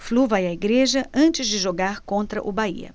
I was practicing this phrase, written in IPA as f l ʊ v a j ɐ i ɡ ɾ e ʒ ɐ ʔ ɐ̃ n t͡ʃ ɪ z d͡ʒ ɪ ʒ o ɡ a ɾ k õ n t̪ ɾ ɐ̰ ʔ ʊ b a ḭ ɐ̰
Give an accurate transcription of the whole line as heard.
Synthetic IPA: f l u v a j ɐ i ɡ ɾ e ʒ ɐ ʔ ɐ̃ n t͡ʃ ɪ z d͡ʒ ɪ ʒ o ɡ a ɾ k õ n t̪ ɾ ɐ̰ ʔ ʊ b a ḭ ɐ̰